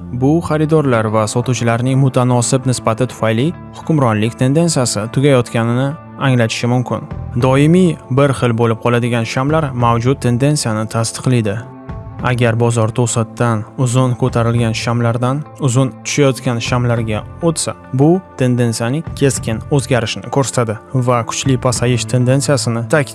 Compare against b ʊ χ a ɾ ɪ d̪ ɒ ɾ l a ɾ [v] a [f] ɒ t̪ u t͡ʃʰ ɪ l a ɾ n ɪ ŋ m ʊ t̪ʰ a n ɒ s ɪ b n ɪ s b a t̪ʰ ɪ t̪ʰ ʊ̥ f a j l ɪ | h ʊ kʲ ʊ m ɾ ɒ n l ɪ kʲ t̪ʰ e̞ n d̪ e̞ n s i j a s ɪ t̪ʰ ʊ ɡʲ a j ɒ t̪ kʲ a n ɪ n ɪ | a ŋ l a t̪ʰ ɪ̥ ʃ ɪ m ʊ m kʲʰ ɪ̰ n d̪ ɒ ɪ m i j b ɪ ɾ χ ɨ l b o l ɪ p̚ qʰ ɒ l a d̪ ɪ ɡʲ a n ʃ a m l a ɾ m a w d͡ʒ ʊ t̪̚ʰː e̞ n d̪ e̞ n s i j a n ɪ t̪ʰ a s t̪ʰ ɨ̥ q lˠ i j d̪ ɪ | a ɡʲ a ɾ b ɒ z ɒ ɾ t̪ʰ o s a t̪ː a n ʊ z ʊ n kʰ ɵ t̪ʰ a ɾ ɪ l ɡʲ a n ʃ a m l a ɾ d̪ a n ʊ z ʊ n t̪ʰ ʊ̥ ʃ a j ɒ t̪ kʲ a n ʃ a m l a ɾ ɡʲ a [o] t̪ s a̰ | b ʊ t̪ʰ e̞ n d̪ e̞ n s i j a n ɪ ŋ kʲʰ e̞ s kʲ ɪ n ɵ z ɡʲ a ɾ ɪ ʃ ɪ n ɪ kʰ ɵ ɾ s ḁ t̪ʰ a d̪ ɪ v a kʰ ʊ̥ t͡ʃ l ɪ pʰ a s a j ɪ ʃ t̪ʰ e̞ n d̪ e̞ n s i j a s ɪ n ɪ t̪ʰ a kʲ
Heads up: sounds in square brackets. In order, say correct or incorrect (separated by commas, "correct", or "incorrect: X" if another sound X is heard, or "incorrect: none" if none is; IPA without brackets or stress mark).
correct, incorrect: s, correct